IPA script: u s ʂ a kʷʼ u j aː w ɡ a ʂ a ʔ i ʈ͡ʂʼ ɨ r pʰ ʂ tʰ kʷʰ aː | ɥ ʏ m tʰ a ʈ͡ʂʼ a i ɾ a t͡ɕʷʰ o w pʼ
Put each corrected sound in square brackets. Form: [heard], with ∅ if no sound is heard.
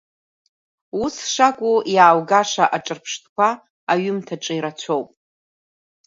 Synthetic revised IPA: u s ʂ a kʷʼ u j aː w ɡ a ʂ a ʔ [a] ʈ͡ʂʼ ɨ r pʰ ʂ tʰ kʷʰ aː | ɥ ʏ m tʰ a ʈ͡ʂʼ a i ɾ a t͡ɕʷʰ o w pʼ